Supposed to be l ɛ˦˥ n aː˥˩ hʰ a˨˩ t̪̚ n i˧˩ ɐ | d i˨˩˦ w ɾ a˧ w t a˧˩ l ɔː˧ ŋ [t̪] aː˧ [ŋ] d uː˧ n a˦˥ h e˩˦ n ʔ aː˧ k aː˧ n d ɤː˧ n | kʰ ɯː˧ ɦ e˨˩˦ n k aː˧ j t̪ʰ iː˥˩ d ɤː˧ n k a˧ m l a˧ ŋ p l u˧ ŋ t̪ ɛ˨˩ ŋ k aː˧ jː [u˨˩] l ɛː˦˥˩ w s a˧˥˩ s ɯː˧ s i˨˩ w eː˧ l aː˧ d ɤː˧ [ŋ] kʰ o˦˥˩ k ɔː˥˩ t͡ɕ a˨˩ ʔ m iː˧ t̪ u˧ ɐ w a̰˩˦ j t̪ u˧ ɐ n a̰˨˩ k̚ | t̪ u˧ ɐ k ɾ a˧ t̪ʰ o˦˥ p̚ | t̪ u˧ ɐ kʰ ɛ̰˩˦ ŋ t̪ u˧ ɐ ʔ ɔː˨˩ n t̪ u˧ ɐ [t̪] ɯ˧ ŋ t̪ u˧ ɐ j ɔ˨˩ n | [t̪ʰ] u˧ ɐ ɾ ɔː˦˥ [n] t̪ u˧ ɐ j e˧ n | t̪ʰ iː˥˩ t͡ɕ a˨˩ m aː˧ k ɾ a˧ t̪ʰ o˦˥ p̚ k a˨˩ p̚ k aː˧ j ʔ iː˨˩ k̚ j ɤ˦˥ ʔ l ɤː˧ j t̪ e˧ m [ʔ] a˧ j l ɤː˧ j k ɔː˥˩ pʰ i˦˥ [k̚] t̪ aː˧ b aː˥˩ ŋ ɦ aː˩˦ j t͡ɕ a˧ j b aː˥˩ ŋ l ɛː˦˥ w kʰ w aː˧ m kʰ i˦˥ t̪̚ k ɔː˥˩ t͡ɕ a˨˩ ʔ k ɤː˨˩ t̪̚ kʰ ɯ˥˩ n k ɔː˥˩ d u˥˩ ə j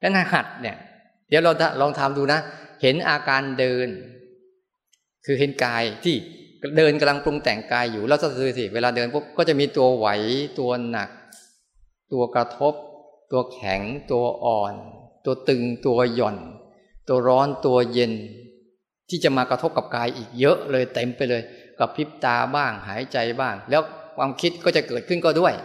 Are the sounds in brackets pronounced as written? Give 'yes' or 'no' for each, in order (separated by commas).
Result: no, no, no, no, yes, no, yes, no, no